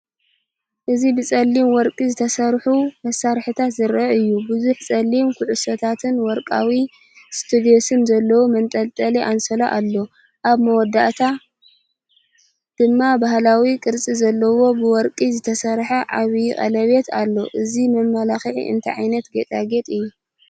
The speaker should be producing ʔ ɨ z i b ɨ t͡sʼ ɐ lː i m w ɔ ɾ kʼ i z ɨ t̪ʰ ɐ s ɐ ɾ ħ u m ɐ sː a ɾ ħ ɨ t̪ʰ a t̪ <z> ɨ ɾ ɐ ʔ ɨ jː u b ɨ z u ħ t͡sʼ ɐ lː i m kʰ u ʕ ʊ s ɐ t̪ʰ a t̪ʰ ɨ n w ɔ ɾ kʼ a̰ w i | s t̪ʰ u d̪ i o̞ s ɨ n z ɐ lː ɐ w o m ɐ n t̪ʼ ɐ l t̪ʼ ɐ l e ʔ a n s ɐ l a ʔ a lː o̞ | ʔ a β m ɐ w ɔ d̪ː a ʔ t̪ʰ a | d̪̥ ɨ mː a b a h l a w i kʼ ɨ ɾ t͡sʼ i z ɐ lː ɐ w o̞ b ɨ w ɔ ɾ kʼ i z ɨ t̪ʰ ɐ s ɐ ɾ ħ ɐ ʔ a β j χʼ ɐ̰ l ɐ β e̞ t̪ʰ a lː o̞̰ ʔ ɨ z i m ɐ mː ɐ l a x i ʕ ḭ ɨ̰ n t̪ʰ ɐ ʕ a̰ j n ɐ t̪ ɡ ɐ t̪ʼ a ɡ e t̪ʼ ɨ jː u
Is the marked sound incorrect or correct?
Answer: correct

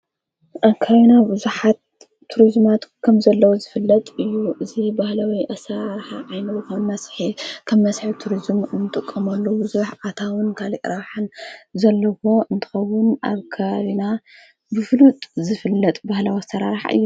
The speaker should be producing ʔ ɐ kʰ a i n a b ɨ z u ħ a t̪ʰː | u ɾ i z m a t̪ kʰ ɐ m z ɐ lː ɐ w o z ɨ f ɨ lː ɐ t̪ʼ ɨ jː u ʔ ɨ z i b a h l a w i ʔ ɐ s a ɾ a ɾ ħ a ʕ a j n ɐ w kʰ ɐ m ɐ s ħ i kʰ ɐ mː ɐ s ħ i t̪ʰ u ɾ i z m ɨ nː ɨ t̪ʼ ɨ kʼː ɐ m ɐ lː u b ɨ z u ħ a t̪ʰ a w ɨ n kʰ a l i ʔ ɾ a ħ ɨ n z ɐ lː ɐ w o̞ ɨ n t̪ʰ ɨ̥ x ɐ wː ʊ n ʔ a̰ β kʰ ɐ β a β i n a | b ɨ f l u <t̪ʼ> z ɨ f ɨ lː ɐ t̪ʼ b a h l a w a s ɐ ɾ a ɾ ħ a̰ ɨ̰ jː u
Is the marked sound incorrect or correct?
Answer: correct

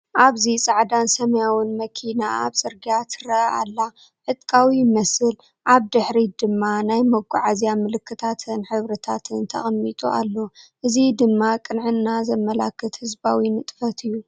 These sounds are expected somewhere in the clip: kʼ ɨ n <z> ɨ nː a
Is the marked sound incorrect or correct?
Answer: incorrect: ʕ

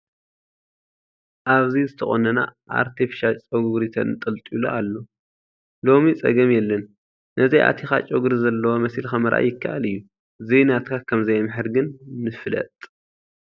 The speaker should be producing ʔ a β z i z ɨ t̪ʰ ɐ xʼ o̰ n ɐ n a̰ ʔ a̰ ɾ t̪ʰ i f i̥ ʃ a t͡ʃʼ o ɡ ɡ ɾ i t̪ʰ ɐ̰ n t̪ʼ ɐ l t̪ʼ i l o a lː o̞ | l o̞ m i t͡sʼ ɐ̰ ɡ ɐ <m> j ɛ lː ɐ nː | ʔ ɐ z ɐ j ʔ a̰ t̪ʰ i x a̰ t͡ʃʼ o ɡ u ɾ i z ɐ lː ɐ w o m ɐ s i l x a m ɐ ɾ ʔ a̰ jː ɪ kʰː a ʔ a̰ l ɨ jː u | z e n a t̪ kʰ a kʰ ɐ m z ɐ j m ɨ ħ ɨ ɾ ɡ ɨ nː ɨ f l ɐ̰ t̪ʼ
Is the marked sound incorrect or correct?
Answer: correct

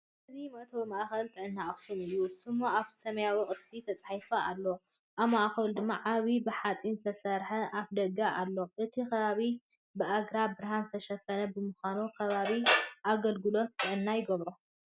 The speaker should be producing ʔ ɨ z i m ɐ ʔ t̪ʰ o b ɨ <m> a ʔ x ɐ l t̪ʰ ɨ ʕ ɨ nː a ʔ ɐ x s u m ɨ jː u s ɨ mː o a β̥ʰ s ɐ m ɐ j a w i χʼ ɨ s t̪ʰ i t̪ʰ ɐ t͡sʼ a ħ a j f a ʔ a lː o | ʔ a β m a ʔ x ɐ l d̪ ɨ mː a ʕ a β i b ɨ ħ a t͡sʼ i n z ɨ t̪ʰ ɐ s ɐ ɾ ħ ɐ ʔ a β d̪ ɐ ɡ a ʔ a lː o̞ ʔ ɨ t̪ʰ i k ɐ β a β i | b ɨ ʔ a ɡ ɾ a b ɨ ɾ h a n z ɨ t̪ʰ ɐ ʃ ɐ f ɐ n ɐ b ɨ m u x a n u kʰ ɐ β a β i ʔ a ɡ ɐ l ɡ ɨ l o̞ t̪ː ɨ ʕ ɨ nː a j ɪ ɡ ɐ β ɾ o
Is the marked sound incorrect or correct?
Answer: correct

